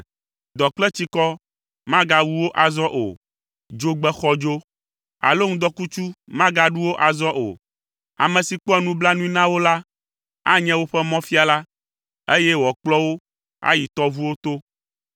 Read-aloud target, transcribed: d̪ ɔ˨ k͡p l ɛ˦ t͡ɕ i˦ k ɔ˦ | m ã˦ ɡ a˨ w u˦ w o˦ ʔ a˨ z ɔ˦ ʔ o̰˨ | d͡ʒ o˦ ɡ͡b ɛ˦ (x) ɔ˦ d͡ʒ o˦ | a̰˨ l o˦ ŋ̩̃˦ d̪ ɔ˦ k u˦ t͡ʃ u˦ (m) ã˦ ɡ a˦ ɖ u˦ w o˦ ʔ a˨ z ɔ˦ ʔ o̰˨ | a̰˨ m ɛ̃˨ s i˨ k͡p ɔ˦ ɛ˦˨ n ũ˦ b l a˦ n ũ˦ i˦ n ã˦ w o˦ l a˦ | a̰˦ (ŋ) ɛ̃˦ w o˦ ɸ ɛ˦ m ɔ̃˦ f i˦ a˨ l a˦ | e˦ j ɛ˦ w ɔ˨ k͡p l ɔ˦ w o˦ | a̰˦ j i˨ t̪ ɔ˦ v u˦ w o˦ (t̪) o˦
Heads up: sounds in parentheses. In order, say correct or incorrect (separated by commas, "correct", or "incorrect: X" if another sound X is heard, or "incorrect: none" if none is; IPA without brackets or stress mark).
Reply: correct, correct, incorrect: ɲ, correct